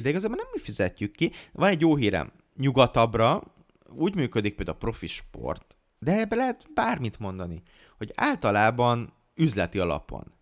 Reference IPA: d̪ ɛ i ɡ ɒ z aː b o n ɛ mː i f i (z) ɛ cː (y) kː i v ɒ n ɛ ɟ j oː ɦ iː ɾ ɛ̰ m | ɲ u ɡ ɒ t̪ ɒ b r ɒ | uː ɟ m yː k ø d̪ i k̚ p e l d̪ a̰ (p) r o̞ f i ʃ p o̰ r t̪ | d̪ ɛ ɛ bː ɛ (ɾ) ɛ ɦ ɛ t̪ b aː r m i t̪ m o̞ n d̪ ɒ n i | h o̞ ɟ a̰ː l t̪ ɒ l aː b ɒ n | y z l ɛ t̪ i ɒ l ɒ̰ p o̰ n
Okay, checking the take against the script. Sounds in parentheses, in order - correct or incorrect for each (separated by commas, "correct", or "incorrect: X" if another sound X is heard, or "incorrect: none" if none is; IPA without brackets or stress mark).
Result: correct, correct, correct, incorrect: l